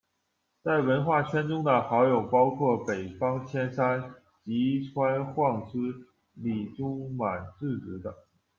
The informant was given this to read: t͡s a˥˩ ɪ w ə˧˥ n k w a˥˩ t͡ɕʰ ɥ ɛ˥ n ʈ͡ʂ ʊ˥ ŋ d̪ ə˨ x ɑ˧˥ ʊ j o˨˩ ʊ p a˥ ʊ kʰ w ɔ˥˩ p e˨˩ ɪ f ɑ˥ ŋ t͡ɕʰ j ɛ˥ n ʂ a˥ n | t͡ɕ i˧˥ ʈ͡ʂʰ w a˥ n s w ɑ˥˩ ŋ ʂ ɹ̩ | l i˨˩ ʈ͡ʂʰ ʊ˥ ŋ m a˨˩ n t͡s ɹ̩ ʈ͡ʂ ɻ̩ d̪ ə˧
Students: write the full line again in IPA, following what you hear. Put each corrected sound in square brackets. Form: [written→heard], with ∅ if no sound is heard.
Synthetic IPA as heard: t͡s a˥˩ ɪ w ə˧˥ n [k→x] w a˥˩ t͡ɕʰ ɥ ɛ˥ n ʈ͡ʂ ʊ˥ ŋ d̪ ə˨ x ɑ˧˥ ʊ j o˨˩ ʊ p [a˥→ɑ˥] ʊ kʰ w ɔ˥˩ p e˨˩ ɪ f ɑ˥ ŋ t͡ɕʰ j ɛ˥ n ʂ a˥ n | t͡ɕ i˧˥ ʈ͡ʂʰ w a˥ n [s→x] w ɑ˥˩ ŋ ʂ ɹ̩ | l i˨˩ [ʈ͡ʂʰ→ʈ͡ʂ] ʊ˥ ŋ m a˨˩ n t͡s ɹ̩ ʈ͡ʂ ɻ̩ d̪ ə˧